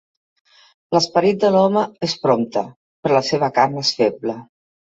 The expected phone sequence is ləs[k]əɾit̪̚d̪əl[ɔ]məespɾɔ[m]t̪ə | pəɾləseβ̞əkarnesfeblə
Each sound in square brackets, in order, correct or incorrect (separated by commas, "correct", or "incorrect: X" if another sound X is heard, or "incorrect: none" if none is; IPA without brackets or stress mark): incorrect: p, correct, correct